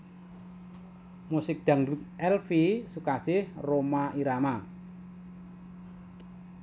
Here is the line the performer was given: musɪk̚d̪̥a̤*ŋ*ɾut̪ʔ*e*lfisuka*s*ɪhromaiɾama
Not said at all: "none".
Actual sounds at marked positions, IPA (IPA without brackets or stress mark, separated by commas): ŋ, ɛ, s